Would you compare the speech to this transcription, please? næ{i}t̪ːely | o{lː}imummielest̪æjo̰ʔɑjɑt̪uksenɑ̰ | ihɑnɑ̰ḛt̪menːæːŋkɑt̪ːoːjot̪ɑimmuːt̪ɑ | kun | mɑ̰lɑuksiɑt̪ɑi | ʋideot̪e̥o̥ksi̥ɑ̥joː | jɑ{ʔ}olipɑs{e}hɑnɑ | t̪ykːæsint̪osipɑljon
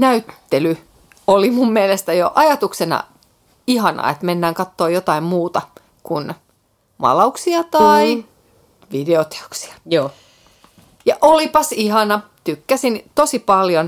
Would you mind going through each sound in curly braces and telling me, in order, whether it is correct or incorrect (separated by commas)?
incorrect, incorrect, correct, incorrect